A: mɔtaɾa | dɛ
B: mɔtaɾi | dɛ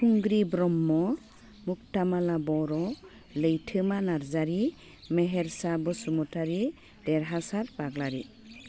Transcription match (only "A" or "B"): B